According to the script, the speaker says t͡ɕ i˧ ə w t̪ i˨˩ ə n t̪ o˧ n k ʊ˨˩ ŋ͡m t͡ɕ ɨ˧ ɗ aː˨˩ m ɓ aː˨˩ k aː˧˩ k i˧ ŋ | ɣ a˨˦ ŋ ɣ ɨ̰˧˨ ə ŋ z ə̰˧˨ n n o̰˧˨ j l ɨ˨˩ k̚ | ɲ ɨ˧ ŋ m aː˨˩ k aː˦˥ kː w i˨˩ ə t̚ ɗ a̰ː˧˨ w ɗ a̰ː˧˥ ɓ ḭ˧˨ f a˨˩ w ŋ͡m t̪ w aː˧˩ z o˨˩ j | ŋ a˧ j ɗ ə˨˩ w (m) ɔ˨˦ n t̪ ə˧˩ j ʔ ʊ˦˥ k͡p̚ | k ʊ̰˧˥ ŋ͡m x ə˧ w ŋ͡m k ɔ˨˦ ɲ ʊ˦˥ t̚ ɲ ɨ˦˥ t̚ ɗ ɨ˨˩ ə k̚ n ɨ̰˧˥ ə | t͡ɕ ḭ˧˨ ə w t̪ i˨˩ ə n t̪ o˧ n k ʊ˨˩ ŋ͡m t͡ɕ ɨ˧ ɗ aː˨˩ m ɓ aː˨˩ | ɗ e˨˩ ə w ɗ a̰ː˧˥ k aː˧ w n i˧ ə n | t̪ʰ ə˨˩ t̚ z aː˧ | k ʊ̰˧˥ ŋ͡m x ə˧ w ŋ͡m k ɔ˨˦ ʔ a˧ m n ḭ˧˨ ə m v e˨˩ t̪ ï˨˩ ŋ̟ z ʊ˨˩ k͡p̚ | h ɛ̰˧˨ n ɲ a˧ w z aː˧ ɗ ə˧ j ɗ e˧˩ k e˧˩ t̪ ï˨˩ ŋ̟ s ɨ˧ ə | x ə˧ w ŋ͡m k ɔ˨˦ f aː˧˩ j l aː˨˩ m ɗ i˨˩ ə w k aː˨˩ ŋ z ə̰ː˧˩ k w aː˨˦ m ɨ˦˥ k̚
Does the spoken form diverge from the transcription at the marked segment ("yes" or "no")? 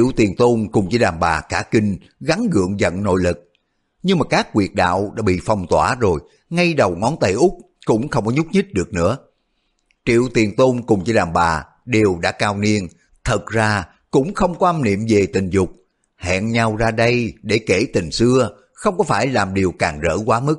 yes